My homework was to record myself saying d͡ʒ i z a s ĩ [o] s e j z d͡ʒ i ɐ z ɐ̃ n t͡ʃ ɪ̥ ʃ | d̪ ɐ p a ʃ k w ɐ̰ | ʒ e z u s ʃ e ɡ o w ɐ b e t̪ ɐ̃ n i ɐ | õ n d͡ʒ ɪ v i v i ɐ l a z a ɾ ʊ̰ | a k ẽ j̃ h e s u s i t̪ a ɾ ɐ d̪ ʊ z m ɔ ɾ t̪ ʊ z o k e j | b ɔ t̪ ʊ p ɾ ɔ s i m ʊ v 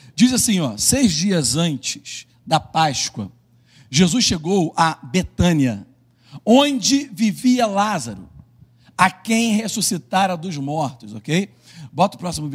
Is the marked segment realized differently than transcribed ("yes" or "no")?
yes